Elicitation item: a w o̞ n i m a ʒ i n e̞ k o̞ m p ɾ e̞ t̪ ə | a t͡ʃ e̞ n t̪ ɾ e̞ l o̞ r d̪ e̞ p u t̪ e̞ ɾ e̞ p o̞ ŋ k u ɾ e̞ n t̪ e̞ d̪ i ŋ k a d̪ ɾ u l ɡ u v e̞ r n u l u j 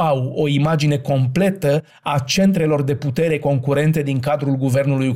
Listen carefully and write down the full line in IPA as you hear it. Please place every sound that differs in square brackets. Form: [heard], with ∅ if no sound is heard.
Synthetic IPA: a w o̞ [∅] i m a [d͡ʒ] i n e̞ k o̞ m p [l] e̞ t̪ ə | a t͡ʃ e̞ n t̪ ɾ e̞ l o̞ r d̪ e̞ p u t̪ e̞ ɾ e̞ [k] o̞ ŋ k u ɾ e̞ n t̪ e̞ d̪ i ŋ k a d̪ ɾ u l ɡ u v e̞ r n u l u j